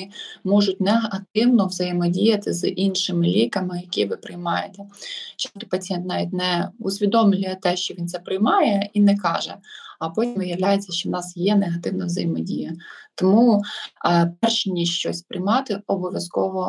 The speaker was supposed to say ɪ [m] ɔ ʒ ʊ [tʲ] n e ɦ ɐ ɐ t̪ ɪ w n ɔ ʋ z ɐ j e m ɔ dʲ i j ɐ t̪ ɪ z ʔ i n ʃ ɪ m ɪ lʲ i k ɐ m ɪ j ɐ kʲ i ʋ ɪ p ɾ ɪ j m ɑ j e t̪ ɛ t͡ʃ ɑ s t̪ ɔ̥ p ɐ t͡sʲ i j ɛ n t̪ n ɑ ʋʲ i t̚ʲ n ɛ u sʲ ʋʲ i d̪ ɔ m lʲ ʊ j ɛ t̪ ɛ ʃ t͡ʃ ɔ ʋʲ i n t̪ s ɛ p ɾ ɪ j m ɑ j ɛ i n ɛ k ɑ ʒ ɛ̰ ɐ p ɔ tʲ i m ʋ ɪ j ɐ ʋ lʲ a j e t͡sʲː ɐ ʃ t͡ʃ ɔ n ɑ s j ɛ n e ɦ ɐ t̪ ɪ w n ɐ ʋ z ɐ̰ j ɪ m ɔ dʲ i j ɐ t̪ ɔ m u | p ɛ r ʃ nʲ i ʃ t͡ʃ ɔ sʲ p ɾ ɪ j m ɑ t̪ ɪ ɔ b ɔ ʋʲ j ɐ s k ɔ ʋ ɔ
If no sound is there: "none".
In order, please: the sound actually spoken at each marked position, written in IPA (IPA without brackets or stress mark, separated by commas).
m, tʲ